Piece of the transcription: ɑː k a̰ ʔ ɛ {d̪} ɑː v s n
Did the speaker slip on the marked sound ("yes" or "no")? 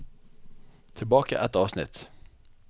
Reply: yes